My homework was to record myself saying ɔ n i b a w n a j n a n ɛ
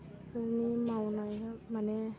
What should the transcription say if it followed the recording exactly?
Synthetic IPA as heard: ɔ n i m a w n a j m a n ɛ